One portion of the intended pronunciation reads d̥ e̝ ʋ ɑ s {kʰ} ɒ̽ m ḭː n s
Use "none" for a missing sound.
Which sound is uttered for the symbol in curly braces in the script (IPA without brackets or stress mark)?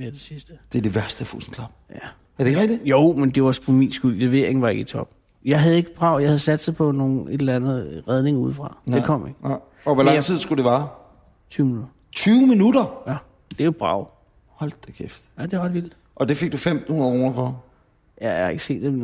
pʰ